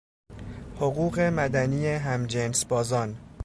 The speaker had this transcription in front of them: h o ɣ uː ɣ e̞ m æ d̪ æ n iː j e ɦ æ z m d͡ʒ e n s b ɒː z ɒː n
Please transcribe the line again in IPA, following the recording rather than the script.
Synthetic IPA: h o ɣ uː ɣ e̞ m æ d̪ æ n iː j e ɦ æ m d͡ʒ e n s b ɒː z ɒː n